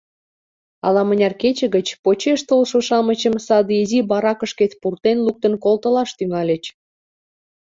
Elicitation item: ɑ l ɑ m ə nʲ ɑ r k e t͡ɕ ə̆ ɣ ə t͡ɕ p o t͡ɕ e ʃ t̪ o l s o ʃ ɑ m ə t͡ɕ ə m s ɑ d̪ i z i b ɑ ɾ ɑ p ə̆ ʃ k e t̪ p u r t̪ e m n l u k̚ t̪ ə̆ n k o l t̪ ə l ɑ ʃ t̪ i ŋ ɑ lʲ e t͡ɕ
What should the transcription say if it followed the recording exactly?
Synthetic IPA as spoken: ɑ l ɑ m ə nʲ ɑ r k e t͡ɕ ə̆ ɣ ə t͡ɕ p o t͡ɕ e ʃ t̪ o l ʃ o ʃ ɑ m ə t͡ɕ ə m s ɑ d̪ i z i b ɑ ɾ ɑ k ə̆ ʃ k e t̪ p u r t̪ e n l u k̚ t̪ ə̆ n k o l t̪ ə l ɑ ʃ t̪ y ŋ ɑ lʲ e t͡ɕ